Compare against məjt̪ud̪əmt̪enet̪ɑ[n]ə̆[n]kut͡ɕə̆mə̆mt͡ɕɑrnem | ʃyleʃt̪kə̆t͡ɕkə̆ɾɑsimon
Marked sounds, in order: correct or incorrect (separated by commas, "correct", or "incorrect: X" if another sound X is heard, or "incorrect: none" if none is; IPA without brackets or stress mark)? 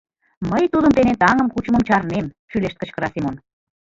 incorrect: ŋ, incorrect: m